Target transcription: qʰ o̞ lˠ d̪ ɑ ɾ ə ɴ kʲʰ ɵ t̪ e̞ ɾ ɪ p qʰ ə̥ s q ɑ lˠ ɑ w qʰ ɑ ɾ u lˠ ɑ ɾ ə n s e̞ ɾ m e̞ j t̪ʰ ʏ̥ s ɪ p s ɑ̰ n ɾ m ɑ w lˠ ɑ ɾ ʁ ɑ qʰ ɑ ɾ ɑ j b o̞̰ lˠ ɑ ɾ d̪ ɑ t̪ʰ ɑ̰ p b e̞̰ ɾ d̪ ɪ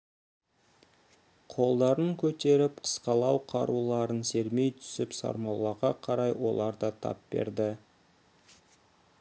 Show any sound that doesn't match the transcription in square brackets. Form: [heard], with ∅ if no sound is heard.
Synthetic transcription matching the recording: qʰ o̞ lˠ d̪ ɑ ɾ ə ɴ kʲʰ ɵ t̪ e̞ ɾ ɪ p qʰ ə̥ s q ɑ lˠ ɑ w qʰ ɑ ɾ u lˠ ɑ ɾ ə n s e̞ ɾ m e̞ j t̪ʰ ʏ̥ s ɪ p s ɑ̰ [∅] ɾ m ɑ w lˠ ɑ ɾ ʁ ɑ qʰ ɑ ɾ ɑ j [w] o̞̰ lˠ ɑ ɾ d̪ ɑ t̪ʰ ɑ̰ p b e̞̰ ɾ d̪ ɪ